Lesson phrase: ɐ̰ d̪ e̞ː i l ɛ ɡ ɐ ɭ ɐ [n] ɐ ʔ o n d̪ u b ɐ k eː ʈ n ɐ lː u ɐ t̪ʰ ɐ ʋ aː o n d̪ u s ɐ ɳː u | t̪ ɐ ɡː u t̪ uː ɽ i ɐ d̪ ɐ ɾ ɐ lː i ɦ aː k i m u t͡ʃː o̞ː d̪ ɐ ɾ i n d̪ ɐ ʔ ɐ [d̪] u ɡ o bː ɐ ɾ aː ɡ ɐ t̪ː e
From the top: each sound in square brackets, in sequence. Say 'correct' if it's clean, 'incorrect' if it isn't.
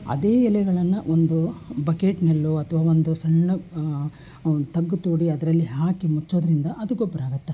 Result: incorrect, correct

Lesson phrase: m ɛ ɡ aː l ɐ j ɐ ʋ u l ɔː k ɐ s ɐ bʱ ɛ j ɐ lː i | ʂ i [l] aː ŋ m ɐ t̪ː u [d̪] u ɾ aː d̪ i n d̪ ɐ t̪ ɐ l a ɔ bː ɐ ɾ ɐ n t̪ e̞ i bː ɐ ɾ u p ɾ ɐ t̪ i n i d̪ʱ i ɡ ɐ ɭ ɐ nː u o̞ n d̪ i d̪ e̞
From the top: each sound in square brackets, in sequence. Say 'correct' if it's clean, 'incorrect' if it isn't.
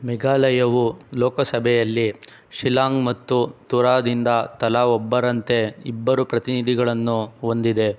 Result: correct, incorrect

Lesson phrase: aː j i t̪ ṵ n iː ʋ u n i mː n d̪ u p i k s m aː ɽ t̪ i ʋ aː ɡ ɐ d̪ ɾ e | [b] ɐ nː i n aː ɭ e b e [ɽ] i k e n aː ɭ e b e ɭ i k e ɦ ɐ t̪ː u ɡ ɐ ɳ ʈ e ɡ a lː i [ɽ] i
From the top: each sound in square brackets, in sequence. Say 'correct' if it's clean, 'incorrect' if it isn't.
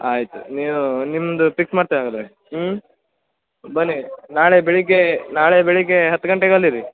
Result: correct, incorrect, incorrect

